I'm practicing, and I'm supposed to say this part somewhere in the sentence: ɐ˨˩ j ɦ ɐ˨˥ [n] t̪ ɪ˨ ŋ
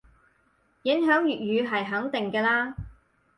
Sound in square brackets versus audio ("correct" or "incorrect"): incorrect